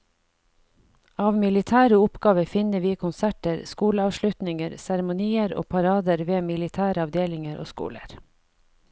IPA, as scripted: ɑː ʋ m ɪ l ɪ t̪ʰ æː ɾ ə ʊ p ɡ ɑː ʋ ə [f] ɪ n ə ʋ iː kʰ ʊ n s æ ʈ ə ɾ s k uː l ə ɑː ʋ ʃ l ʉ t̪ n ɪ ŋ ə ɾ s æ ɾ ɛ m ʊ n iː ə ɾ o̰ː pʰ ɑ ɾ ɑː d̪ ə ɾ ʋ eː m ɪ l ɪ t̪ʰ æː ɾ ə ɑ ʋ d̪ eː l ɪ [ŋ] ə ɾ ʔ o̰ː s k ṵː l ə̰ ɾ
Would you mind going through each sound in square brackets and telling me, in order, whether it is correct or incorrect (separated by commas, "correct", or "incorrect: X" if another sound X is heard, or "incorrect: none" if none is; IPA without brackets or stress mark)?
correct, correct